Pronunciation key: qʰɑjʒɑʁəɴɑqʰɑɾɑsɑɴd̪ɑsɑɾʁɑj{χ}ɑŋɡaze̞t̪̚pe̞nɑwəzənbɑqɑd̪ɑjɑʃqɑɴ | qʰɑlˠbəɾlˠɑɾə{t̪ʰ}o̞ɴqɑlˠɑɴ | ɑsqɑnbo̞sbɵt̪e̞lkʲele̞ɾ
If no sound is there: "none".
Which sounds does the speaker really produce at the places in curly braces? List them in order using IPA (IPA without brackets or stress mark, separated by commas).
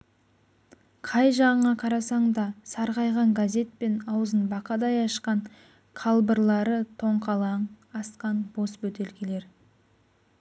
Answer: ʁ, t̪ʰ